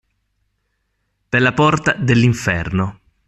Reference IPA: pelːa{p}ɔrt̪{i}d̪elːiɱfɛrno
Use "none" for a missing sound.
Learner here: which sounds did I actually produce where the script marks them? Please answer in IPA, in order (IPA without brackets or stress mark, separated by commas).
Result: p, a